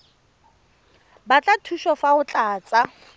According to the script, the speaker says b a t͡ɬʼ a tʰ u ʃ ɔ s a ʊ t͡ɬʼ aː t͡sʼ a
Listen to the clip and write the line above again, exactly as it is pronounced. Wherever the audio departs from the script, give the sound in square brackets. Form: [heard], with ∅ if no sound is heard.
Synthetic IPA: b a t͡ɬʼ a tʰ u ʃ ɔ [f] a ʊ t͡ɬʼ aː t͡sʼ a